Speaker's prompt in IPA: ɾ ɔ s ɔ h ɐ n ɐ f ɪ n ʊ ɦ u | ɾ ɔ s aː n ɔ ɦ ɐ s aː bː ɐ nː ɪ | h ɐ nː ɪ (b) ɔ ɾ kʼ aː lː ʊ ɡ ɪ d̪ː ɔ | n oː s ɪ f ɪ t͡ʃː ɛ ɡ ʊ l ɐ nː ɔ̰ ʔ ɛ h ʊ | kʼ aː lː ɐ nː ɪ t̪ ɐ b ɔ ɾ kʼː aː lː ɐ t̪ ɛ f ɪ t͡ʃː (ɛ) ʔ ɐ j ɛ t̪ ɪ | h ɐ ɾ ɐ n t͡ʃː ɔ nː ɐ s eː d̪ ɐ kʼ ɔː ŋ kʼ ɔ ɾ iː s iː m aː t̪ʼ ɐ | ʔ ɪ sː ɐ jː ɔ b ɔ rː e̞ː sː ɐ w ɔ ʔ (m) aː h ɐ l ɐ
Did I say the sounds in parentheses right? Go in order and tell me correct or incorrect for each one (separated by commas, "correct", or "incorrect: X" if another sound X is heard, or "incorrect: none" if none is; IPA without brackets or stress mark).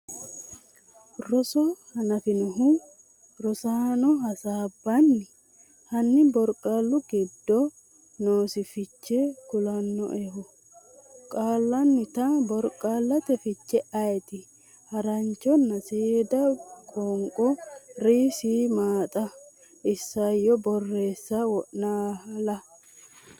correct, correct, incorrect: n